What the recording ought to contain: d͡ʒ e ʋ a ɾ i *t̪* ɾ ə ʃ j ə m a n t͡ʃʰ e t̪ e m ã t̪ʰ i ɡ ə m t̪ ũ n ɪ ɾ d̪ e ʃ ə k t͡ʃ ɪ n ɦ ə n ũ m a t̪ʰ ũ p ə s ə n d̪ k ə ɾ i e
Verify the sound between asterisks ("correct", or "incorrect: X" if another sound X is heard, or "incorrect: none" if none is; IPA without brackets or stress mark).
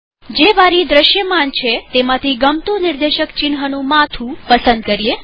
incorrect: d̪